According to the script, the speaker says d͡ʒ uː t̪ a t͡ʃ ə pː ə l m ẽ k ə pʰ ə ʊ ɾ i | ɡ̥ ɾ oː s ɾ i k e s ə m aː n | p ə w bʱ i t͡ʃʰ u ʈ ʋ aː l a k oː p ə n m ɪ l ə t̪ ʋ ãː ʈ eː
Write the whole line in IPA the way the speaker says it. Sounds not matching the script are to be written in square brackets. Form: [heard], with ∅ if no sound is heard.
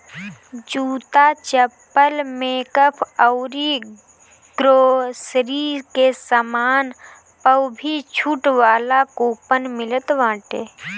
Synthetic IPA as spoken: d͡ʒ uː t̪ a t͡ʃ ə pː ə l m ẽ k ə pʰ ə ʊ ɾ i | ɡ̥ ɾ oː s ɾ i k e s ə m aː n | p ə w bʱ i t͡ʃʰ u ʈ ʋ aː l a k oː p ə n m ɪ l ə t̪ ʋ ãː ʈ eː